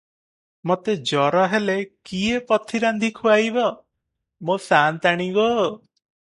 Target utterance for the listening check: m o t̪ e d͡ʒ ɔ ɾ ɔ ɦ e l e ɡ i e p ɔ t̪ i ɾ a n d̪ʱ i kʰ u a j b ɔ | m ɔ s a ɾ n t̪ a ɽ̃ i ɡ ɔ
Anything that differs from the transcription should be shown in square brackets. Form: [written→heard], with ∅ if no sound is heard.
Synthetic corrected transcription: m o t̪ e d͡ʒ ɔ ɾ ɔ ɦ e l e [ɡ→k] i e p ɔ [t̪→t̪ʰ] i ɾ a n d̪ʱ i kʰ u a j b ɔ | m [ɔ→o] s a [ɾ→∅] n t̪ a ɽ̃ i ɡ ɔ